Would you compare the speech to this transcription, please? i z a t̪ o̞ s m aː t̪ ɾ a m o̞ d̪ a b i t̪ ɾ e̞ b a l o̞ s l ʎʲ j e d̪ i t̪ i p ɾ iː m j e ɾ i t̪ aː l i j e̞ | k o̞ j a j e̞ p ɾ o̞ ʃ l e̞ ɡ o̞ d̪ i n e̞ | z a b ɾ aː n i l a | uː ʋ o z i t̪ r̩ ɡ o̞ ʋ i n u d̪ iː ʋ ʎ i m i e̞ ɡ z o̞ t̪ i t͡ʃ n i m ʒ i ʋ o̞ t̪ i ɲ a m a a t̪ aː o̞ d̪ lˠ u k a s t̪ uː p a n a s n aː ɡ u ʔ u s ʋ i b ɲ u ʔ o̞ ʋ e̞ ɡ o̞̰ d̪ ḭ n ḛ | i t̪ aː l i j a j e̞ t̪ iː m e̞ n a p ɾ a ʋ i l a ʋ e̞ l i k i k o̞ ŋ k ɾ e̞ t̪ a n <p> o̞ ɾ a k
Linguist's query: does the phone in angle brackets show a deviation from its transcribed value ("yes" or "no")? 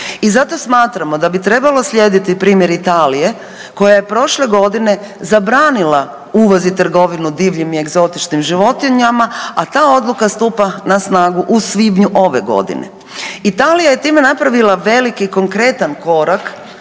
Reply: yes